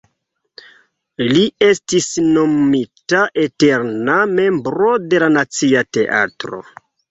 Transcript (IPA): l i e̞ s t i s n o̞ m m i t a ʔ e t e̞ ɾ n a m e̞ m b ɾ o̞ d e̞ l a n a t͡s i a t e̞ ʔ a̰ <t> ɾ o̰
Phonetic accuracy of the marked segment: correct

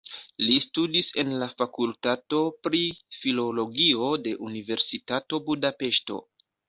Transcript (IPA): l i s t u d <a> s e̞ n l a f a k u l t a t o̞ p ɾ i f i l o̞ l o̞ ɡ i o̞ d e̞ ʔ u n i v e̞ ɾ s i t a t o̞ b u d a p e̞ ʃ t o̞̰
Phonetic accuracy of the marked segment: incorrect: i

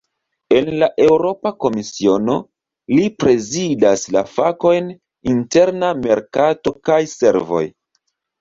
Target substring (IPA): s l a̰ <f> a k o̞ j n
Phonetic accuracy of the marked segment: correct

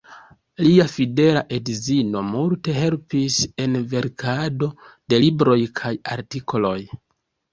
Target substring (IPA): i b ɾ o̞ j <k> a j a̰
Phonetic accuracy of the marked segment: incorrect: kʰ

